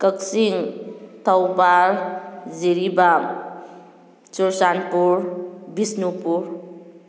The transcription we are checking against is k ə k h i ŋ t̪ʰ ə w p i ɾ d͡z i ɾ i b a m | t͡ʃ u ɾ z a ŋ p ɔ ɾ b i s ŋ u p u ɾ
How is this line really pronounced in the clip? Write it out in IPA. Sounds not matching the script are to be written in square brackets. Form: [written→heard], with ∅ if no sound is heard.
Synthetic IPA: k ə k [h→s] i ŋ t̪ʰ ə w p [i→a] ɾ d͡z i ɾ i b a m | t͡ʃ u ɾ [z→s] a [ŋ→n] p [ɔ→u] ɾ b i s [ŋ→n] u p u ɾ